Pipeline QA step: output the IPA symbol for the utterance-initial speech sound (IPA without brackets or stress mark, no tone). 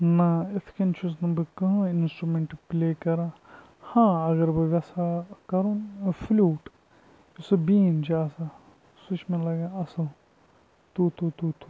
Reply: n